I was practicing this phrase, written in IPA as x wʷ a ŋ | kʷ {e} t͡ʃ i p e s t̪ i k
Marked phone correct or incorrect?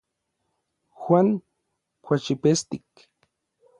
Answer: incorrect